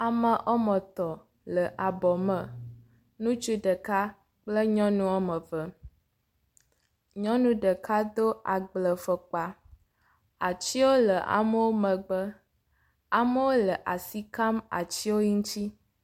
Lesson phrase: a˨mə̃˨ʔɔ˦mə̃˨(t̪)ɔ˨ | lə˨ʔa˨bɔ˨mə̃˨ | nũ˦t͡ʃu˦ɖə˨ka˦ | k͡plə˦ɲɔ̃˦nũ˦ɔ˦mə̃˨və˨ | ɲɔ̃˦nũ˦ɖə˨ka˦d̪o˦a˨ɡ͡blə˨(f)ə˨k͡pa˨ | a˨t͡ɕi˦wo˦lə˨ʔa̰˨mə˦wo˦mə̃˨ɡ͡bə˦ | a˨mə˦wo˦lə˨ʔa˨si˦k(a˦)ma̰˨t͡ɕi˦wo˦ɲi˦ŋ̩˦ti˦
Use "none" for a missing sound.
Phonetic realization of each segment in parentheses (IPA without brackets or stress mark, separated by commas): t̪, f, a˦